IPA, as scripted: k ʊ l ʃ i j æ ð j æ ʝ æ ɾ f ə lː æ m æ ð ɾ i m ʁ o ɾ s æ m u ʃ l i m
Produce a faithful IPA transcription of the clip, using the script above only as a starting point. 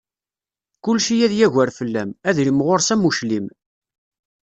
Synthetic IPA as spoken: k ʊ l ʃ i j æ ð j æ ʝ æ ɾ f ə lː æ m æ ð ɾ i m ʁ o ɾ s æ m u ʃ l i m